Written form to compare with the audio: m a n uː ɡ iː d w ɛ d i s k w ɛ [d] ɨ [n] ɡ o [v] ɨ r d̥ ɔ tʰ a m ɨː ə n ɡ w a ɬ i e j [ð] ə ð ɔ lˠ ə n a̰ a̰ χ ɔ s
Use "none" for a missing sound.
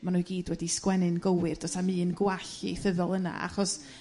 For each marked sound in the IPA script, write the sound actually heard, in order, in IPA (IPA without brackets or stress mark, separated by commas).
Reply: n, n, w, θ